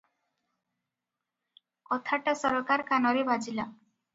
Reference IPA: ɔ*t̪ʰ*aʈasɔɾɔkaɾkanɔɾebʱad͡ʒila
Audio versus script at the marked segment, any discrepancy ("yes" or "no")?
no